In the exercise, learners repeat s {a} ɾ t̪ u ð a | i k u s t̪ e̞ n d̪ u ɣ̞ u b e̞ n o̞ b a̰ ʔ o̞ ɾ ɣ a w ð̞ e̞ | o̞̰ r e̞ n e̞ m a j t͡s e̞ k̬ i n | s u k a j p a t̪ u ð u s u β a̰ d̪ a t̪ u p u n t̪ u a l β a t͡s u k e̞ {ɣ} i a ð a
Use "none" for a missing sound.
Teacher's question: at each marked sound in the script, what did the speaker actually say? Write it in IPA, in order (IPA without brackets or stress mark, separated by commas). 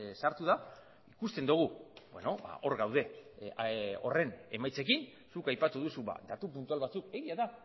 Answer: a, ɣ